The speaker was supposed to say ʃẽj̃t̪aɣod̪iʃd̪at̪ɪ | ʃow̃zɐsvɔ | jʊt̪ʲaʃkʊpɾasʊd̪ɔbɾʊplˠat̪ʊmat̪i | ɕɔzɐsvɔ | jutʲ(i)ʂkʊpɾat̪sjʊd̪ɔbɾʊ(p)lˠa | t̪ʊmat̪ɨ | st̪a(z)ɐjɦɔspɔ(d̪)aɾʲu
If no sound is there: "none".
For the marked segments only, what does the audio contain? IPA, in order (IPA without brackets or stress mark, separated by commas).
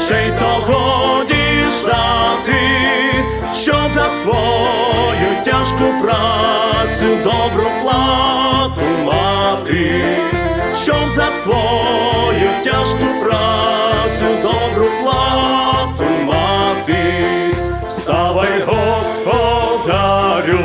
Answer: a, p, v, d̪